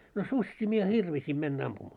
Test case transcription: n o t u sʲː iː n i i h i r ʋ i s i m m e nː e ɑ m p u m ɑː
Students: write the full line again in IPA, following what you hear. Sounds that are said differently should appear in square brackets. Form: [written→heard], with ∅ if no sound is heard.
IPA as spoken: n o [t→s] u sʲː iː [n→m] i [i→e] h i r ʋ i s i m m e nː [e→æ] ɑ m p u m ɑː